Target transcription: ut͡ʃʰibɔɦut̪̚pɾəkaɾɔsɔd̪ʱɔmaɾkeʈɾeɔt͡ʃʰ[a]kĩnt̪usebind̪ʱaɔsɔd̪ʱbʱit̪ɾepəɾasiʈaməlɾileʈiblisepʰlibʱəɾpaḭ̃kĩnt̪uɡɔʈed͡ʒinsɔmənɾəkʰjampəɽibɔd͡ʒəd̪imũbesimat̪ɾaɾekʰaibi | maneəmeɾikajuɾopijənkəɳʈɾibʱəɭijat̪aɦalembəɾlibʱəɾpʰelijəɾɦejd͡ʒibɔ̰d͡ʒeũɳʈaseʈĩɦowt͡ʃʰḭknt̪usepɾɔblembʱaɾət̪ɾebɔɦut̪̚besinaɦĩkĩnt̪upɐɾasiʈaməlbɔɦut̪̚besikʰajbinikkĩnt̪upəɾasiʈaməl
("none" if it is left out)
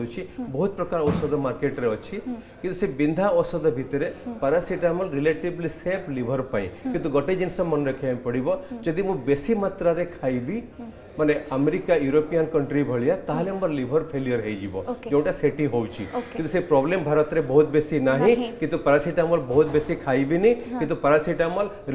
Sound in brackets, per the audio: i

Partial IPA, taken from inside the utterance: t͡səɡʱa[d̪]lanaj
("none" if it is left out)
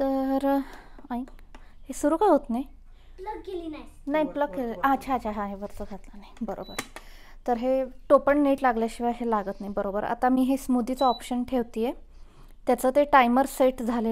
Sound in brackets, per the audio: t̪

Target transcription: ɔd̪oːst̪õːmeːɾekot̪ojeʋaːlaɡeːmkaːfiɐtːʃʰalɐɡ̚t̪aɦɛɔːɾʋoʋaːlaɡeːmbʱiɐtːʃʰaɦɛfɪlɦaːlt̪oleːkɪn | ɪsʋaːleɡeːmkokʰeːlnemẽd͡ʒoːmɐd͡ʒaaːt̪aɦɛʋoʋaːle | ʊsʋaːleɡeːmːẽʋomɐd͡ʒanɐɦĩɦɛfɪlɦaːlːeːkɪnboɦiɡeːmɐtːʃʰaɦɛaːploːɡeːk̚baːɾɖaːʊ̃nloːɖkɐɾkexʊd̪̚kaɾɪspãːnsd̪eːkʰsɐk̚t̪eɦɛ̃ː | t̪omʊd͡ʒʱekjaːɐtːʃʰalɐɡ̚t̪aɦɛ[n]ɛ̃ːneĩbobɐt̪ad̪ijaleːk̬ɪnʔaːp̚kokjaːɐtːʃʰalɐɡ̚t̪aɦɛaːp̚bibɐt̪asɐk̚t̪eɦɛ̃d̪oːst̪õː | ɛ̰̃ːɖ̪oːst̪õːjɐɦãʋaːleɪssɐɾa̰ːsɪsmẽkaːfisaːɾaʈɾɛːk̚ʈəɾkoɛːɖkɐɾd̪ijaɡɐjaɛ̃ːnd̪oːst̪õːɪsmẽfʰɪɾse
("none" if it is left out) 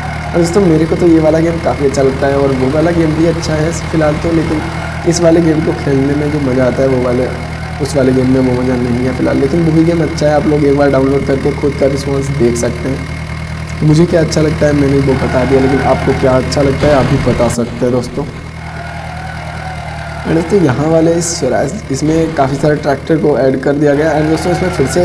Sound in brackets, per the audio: m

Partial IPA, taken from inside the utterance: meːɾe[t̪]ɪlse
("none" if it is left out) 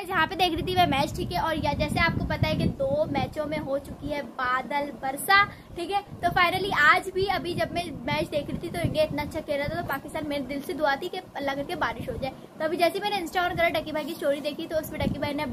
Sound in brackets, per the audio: d̪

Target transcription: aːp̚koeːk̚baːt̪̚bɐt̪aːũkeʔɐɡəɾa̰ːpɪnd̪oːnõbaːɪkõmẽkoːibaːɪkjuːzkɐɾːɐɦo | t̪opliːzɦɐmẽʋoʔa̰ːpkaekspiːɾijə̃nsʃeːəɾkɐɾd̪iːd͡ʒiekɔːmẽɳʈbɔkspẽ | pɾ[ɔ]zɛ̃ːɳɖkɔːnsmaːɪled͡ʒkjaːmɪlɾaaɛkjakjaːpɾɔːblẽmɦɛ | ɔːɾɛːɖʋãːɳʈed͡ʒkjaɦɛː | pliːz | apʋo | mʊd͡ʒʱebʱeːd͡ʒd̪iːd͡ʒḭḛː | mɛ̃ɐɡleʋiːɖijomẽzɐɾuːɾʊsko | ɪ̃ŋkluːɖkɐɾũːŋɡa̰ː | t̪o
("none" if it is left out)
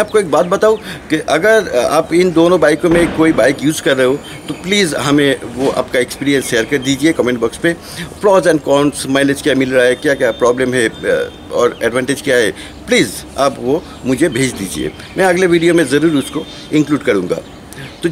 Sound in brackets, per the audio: ɔː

